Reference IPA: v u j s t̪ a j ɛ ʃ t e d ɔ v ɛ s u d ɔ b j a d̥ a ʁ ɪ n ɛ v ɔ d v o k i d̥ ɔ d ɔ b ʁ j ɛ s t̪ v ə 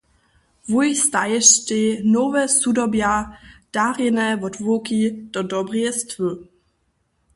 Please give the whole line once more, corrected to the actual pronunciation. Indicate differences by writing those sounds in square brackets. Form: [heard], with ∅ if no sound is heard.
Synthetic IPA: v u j s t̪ a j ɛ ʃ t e [n] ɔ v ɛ s u d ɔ b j a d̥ a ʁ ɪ n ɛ v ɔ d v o k i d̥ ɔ d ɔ b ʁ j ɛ s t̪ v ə